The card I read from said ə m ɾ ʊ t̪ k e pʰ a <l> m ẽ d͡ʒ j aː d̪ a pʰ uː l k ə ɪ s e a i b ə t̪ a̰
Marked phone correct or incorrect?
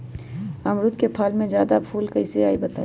correct